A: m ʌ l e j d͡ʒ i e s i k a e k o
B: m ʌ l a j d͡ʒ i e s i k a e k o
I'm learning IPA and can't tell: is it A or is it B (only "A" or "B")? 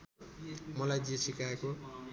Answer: B